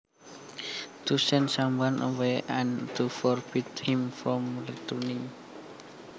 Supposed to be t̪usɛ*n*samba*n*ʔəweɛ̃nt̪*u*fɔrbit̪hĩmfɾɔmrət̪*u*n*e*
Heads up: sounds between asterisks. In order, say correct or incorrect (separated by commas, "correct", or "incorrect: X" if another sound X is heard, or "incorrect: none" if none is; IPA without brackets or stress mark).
correct, correct, correct, correct, incorrect: i